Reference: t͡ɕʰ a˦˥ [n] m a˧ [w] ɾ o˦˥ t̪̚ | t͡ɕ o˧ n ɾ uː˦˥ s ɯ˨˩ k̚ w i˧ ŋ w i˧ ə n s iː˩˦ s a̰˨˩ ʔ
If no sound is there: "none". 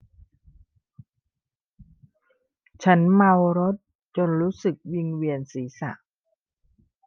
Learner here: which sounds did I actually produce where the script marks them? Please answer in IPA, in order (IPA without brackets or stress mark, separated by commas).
n, w